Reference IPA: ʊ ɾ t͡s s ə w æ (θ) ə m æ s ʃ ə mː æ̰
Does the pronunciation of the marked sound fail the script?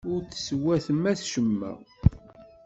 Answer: no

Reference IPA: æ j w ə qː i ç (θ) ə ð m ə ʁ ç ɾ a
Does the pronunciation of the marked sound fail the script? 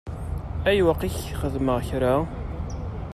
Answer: yes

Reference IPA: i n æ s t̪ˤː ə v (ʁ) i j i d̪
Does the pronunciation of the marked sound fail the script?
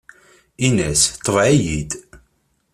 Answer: yes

